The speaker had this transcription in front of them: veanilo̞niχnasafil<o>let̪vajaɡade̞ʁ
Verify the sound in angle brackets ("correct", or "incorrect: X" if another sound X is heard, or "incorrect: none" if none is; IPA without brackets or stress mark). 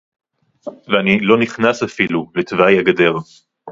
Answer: incorrect: u